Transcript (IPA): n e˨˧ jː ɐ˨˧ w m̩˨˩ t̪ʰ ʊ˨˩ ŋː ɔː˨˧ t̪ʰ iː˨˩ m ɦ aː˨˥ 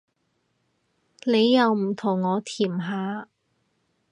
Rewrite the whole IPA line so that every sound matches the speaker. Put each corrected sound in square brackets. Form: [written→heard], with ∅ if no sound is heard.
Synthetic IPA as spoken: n e˨˧ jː ɐ˨˧ w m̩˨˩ t̪ʰ ʊ˨˩ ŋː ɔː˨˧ t̪ʰ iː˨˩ m ɦ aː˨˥